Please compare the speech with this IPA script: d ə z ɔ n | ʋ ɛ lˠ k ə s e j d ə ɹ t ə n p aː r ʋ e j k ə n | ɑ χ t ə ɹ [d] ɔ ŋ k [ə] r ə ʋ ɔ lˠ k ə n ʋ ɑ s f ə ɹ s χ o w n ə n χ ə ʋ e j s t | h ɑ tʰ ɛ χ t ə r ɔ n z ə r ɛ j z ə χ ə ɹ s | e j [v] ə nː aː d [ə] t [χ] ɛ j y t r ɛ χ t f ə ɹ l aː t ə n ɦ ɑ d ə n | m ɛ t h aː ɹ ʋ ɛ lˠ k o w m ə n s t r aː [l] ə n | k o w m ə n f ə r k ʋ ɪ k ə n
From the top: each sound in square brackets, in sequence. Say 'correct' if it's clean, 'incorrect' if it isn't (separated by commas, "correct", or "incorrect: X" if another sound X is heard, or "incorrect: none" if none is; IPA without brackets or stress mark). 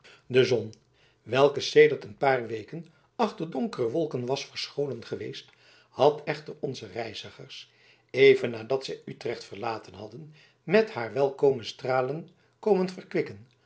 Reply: correct, correct, correct, incorrect: ɑ, incorrect: s, correct